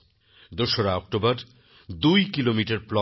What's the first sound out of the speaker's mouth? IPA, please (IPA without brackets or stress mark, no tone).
d̪